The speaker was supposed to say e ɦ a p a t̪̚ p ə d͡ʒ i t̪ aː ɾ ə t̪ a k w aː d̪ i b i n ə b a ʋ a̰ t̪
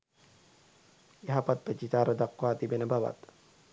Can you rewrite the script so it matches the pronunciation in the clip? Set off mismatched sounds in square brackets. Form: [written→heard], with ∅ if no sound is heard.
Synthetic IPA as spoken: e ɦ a p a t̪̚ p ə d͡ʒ i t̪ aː ɾ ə [t̪→d̪] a k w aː [d̪→t̪] i b [i→e] n ə b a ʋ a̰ t̪